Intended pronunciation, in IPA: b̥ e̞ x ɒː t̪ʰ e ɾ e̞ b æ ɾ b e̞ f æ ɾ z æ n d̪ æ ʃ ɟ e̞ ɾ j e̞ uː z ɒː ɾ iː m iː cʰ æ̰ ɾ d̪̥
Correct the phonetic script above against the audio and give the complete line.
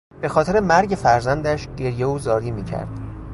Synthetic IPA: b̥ e̞ x ɒː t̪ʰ e ɾ e̞ m æ ɾ ɟ e̞ f æ ɾ z æ n d̪ æ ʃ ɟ e̞ ɾ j e̞ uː z ɒː ɾ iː m iː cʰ æ̰ ɾ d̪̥